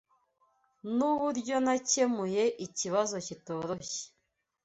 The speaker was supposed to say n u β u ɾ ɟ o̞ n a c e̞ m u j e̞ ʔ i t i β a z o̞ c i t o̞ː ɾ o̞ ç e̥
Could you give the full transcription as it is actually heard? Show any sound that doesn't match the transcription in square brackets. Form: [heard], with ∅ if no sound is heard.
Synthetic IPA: n u β u ɾ ɟ o̞ n a c e̞ m u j e̞ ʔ i [c] i β a z o̞ c i t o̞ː ɾ o̞ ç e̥